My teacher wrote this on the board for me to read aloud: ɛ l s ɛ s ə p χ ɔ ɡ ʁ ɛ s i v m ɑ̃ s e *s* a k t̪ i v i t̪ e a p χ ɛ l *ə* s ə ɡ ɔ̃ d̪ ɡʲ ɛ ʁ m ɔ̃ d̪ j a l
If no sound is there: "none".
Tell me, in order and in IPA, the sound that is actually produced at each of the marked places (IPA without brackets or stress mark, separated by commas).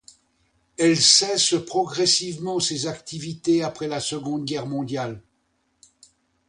z, a